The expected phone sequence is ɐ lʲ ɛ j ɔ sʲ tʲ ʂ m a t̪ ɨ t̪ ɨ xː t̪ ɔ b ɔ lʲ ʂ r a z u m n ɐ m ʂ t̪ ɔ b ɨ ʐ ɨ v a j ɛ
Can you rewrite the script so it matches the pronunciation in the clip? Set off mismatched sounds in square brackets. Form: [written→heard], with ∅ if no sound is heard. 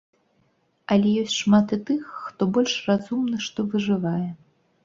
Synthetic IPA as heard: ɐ lʲ ɛ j ɔ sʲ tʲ ʂ m a t̪ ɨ t̪ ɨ xː t̪ ɔ b ɔ lʲ ʂ r a z u m n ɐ [m→∅] ʂ t̪ ɔ [b→v] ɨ ʐ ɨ v a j ɛ